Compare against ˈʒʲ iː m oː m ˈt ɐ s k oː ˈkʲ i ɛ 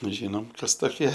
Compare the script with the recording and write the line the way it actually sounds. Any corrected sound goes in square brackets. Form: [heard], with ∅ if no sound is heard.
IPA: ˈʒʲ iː [n] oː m [ˈk] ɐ s [t] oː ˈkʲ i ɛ